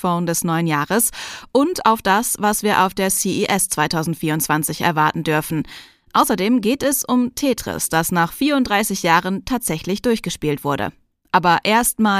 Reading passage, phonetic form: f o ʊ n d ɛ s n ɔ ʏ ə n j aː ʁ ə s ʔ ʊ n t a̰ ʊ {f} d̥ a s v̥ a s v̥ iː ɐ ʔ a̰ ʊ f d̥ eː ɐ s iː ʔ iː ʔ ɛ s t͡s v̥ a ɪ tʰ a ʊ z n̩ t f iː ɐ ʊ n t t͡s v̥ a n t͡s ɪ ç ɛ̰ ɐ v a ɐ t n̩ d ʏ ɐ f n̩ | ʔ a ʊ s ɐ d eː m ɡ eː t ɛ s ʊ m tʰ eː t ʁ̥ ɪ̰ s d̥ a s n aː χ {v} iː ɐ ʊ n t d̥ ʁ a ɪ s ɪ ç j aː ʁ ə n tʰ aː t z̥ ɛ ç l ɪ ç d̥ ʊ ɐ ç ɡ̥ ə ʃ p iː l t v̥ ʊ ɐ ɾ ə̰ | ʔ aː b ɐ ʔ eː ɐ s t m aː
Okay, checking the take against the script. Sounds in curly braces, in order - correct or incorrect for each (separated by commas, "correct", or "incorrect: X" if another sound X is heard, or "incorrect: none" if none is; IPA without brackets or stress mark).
correct, incorrect: f